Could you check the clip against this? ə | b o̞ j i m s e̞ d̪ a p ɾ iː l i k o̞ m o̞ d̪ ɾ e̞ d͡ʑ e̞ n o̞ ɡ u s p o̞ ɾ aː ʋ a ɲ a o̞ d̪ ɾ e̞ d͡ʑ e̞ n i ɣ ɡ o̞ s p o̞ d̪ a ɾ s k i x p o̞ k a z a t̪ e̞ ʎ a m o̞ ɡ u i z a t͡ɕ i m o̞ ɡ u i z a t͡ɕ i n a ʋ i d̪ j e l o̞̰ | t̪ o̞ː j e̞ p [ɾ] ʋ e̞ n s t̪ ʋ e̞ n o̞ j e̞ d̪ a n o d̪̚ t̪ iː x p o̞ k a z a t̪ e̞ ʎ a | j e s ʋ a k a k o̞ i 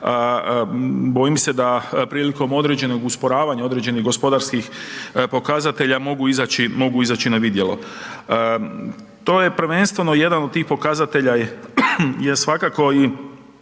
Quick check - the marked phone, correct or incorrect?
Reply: correct